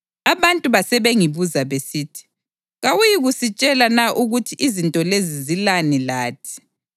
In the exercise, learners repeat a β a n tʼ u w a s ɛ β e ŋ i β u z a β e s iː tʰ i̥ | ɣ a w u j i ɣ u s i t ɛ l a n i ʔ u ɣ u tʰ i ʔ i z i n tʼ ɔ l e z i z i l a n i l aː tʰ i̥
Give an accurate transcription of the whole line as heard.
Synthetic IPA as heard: a β a n tʼ u β a s ɛ β e ŋ i β u z a β e s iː tʰ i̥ | ɣ a w u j i ɣ u s i t͡ʃʼ ɛ l a n a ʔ u ɣ u tʰ i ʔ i z i n tʼ ɔ l e z i z i l a n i l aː tʰ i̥